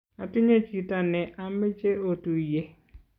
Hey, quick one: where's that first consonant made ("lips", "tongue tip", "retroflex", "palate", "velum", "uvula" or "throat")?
tongue tip